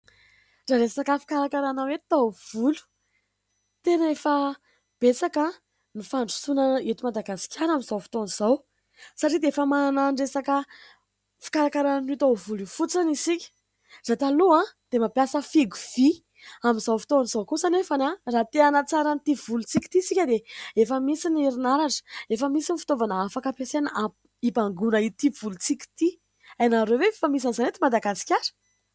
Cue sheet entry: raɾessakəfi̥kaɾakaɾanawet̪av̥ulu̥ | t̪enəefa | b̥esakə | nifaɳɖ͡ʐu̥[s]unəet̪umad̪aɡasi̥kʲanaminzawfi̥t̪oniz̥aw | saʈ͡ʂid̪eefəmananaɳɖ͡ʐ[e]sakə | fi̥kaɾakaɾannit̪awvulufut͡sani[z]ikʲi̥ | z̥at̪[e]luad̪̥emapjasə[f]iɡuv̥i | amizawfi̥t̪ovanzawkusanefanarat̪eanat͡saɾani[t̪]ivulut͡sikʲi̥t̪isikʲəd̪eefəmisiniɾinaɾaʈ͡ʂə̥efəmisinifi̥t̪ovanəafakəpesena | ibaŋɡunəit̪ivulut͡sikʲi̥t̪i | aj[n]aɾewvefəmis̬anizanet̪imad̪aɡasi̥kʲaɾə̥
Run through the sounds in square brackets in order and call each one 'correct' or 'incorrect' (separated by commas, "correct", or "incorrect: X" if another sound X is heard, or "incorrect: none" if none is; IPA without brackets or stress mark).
correct, correct, incorrect: s, incorrect: a, correct, correct, correct